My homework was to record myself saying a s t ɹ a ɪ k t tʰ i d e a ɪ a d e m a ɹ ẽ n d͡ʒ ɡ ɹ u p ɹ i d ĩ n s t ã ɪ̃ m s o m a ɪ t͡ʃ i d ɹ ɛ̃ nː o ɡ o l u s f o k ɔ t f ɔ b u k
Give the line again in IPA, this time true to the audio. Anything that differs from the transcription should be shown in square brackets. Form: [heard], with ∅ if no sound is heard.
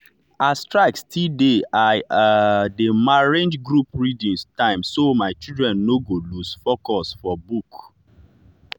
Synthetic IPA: a s t ɹ a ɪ k [s] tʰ i d e a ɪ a d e m a ɹ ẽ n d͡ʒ ɡ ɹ u p ɹ i d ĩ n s t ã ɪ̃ m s o m a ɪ t͡ʃ i d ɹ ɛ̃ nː o ɡ o l u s f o k ɔ [s] f ɔ b u k